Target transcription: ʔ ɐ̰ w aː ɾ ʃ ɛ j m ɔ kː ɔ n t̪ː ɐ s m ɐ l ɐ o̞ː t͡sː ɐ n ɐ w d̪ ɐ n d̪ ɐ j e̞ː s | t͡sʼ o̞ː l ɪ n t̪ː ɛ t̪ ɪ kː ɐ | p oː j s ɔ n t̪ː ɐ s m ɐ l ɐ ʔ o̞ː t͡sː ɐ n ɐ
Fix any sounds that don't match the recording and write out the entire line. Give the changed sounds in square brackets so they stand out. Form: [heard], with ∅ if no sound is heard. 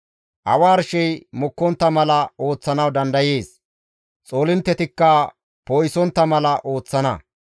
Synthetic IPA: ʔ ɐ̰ w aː ɾ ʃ ɛ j m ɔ kː ɔ n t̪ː ɐ [∅] m ɐ l ɐ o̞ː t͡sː ɐ n ɐ w d̪ ɐ n d̪ ɐ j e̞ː s | t͡sʼ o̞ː l ɪ n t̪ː ɛ t̪ ɪ kː ɐ | p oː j s ɔ n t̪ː ɐ [∅] m ɐ l ɐ ʔ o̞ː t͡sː ɐ n ɐ